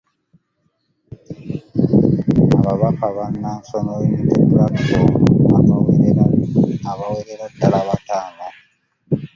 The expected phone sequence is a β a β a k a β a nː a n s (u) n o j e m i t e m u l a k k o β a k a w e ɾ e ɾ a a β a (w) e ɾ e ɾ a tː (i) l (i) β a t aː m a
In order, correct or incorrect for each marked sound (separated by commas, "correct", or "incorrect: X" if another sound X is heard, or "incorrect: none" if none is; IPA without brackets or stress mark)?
incorrect: o, correct, incorrect: a, incorrect: a